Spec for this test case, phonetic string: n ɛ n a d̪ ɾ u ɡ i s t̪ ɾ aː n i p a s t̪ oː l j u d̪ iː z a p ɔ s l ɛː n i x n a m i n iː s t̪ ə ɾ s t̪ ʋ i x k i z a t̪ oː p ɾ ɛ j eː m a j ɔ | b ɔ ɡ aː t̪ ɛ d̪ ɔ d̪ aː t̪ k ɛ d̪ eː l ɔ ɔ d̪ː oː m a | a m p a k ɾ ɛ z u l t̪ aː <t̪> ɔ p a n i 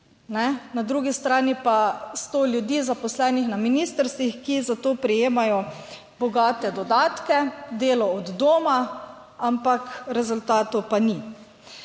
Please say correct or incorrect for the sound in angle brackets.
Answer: correct